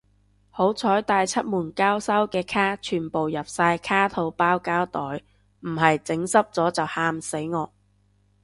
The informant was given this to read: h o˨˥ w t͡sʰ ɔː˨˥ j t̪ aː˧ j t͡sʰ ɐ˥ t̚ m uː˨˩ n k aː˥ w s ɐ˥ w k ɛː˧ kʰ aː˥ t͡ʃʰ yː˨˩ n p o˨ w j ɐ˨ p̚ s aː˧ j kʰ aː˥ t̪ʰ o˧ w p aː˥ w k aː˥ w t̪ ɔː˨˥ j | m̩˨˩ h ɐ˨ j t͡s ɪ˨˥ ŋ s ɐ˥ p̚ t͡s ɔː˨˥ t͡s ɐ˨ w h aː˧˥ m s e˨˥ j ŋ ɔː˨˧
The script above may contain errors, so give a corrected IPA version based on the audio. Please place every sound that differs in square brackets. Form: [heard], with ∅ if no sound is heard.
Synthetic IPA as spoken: h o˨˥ w t͡sʰ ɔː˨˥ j t̪ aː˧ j t͡sʰ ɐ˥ t̚ m uː˨˩ n k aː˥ w s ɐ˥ w k ɛː˧ kʰ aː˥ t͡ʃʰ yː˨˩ n p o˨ w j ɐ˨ p̚ s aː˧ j kʰ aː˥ t̪ʰ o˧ w p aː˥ w k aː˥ w t̪ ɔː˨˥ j | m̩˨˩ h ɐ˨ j t͡s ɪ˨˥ ŋ s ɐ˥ p̚ t͡s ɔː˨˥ t͡s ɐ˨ w h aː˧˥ m s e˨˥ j ŋ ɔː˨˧